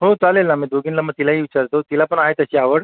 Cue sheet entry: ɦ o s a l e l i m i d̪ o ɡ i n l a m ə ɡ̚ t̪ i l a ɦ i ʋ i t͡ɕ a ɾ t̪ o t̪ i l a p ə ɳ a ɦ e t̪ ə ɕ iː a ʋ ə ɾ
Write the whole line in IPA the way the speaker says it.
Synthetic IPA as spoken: ɦ o t͡s a l e l a m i d̪ o ɡ i n l a m ə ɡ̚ t̪ i l a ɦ i ʋ i t͡ɕ a ɾ t̪ o t̪ i l a p ə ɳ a ɦ e t̪ ə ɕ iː a ʋ ə ɽ